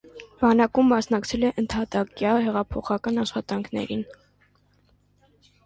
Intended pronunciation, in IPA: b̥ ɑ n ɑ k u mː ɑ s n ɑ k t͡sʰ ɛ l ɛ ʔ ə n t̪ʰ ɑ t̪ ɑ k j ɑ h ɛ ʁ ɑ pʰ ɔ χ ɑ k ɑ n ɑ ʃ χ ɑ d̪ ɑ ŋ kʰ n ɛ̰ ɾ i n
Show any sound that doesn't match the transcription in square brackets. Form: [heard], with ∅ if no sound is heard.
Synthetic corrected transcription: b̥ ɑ n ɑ k u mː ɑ s n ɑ k t͡sʰ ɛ l ɛ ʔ ə n t̪ʰ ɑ t̪ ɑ k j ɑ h ɛ ʁ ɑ pʰ ɔ χ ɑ k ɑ n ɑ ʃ χ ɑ [t̪] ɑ ŋ kʰ n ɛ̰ ɾ i n